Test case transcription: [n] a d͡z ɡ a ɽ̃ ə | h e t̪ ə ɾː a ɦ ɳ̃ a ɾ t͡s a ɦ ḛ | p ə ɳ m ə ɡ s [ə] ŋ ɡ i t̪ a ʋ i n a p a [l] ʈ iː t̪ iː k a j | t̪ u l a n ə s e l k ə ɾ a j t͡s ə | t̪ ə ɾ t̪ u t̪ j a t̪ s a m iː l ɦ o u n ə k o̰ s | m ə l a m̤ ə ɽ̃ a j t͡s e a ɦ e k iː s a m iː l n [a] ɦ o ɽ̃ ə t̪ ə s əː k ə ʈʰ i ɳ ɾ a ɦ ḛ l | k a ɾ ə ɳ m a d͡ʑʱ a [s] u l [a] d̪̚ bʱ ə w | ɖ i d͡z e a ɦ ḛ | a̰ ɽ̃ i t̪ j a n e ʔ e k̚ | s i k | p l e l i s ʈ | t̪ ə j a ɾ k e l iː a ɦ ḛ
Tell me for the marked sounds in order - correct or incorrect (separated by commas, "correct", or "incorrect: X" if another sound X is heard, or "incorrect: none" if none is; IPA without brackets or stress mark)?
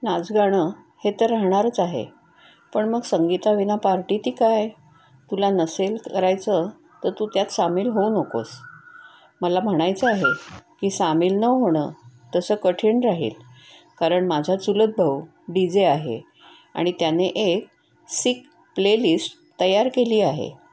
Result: correct, correct, incorrect: ɾ, incorrect: ə, incorrect: t͡s, incorrect: ə